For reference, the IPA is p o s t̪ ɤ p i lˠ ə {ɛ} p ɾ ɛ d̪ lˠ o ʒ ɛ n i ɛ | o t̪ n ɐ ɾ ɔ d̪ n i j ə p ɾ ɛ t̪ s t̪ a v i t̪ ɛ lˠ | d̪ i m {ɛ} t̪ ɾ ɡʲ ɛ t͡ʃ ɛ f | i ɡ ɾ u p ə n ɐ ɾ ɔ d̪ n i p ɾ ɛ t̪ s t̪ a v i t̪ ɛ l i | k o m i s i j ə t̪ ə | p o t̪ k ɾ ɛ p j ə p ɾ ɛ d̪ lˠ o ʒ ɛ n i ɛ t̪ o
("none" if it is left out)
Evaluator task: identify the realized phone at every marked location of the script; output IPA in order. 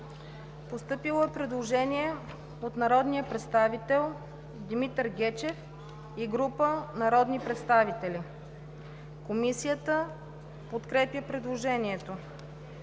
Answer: ɛ, i

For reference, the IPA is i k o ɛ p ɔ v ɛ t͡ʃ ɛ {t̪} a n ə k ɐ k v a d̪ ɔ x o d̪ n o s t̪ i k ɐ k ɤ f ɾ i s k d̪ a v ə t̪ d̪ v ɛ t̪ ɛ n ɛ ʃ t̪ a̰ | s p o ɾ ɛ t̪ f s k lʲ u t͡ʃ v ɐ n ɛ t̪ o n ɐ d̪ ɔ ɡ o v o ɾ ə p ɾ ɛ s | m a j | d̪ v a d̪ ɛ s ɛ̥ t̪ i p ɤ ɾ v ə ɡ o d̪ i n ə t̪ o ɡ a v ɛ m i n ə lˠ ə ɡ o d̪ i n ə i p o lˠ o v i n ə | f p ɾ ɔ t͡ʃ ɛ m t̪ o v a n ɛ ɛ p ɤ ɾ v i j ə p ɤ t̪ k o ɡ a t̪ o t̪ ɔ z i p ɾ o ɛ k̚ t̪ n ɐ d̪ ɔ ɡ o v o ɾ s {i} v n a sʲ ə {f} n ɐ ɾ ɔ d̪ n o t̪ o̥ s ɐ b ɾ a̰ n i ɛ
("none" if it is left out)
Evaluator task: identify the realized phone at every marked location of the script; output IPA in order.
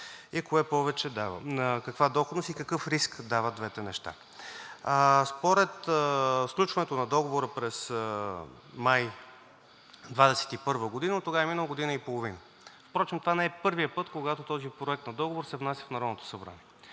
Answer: d̪, ɛ, f

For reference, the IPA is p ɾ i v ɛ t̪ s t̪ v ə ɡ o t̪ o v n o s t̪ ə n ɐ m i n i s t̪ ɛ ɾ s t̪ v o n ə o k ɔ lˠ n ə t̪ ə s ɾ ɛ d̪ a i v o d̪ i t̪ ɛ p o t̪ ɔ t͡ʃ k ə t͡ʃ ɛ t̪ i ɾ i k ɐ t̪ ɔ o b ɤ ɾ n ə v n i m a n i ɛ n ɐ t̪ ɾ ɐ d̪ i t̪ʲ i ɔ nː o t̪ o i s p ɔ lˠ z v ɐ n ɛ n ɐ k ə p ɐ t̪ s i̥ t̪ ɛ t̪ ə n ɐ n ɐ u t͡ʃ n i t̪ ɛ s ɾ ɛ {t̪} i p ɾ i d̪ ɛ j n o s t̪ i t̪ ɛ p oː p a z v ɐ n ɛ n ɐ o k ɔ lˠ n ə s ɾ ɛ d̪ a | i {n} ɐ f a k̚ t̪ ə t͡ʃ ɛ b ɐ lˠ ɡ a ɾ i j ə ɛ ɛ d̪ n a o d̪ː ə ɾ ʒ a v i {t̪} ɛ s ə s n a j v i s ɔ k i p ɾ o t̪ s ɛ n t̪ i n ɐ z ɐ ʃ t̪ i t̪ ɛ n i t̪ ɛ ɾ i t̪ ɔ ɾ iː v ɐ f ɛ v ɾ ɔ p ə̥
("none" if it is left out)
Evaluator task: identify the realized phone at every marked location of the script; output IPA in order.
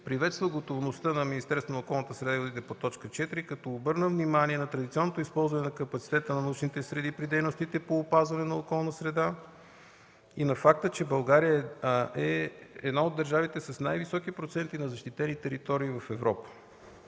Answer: d̪, n, t̪

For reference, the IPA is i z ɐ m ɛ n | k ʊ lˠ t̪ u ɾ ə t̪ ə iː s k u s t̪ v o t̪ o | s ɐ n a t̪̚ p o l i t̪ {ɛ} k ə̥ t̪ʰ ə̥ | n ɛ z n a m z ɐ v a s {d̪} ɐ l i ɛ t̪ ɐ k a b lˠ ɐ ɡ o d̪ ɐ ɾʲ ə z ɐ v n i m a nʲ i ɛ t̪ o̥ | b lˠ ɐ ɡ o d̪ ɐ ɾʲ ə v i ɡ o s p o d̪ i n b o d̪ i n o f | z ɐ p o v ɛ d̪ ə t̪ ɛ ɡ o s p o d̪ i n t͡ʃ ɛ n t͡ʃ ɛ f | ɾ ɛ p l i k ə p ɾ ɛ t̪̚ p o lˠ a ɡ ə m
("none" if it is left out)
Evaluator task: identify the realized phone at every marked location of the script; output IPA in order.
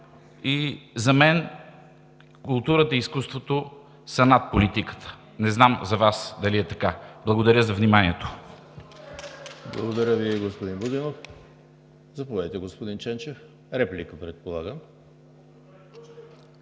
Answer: i, d̪

